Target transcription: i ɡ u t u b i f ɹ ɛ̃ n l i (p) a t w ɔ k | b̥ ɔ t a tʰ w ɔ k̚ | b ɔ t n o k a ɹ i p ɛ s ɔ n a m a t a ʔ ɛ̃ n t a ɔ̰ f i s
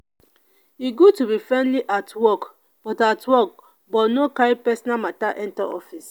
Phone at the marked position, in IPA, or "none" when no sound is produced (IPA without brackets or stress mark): ʔ